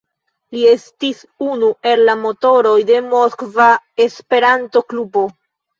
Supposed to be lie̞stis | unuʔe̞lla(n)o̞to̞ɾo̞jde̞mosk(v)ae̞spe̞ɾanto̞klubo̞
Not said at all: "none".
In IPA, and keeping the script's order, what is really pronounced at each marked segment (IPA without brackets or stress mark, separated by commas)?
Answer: m, v